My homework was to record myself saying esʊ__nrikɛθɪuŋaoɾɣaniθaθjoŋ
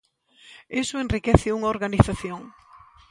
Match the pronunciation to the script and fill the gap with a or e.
e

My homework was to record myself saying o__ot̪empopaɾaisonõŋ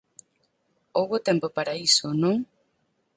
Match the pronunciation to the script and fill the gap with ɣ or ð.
ɣ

